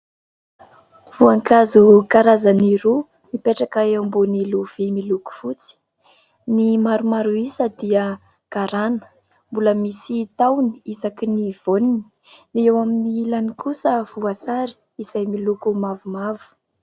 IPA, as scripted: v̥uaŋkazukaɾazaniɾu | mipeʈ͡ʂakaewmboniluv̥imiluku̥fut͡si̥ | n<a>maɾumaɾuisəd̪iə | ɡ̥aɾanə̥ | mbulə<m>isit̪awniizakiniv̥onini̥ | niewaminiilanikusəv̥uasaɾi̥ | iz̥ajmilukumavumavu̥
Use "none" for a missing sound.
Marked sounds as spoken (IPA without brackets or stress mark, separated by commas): i, m